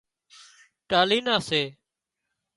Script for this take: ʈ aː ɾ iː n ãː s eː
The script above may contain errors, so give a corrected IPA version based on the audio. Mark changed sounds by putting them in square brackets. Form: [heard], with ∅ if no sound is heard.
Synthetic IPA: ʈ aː [l] iː n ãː s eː